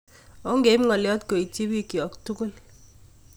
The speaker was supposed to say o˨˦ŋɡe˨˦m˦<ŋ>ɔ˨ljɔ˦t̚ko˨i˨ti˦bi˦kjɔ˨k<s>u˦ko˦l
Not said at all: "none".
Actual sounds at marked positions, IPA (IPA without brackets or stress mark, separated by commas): ŋ, t